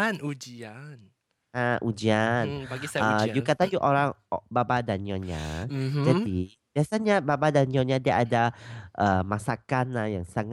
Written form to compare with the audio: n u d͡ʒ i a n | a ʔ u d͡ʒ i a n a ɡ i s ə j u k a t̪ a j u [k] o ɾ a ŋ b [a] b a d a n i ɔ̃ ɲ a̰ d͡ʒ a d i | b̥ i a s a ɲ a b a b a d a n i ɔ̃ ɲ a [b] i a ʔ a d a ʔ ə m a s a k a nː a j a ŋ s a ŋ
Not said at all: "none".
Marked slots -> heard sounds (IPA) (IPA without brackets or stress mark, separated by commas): ʔ, a, d